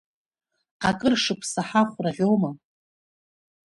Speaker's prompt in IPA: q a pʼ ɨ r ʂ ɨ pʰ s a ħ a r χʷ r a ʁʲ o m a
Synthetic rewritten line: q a kʼ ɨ r ʂ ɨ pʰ s a ħ a χʷ r a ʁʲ o m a